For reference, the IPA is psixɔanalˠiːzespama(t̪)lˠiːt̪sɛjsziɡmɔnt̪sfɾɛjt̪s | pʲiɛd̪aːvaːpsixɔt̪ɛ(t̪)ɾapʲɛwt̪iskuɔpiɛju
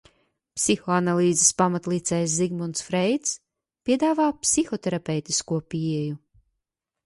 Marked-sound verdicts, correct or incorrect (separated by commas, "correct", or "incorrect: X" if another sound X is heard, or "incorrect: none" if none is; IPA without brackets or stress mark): correct, incorrect: none